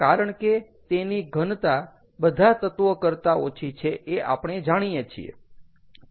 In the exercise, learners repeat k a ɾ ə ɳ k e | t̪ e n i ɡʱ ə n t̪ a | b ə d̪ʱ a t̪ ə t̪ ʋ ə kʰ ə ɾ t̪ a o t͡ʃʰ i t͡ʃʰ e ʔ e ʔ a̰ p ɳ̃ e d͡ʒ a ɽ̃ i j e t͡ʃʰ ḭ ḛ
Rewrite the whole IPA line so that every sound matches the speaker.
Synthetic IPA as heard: k a ɾ ə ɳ k e | t̪ e n i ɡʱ ə n t̪ a | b ə d̪ʱ a t̪ ə t̪ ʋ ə k ə ɾ t̪ a o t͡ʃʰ i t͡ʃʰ e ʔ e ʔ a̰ p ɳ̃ e d͡ʒ a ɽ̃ i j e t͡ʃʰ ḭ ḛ

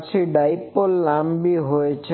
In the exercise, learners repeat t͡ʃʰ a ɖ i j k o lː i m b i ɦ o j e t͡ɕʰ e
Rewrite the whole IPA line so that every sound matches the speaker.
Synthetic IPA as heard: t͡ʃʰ i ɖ a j p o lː a m b i ɦ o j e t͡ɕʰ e

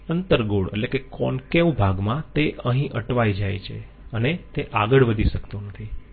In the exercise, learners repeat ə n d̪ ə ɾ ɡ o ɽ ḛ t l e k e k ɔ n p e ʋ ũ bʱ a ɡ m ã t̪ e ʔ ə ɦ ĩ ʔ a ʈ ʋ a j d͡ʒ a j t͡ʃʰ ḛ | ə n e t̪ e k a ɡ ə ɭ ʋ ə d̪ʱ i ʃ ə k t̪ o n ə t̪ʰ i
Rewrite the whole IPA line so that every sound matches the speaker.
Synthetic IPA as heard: ə n t̪ ə ɾ ɡ o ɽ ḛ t l e k e k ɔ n k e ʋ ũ bʱ a ɡ m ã t̪ e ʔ ə ɦ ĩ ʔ ə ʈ ʋ a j d͡ʒ a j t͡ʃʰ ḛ | ə n e t̪ e ʔ a ɡ ə ɭ ʋ ə d̪ʱ i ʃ ə k t̪ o n ə t̪ʰ i

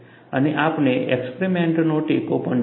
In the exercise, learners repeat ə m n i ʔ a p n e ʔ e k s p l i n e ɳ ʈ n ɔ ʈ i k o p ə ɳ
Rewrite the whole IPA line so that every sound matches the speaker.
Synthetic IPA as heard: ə n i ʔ a p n e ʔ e k s p ɾ i m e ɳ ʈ n o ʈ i k o p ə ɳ

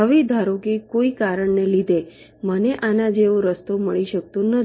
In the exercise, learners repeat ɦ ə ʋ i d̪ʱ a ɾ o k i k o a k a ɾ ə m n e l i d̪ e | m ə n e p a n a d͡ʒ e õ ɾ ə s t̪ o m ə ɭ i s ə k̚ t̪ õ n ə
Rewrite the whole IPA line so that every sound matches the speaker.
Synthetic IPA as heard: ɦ ə ʋ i d̪ʱ a ɾ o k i k o i k a ɾ ə ɳ n e l i d̪ e | m ə n e ʔ a n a d͡ʒ e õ ɾ ə s t̪ o m ə ɭ i ʃ ə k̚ t̪ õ n ə

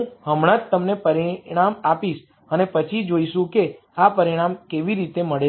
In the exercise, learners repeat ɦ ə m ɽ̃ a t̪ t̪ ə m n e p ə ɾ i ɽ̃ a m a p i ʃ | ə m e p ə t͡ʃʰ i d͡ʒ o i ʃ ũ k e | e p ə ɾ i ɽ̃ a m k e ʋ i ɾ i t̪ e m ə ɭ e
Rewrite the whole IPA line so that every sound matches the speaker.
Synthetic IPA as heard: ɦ ə m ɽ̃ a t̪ t̪ ə m n e p ə ɾ i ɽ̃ a m a p i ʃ | ə n e p ə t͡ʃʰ i d͡ʒ o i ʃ ũ k e | a p ə ɾ i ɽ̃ a m k e ʋ i ɾ i t̪ e m ə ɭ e

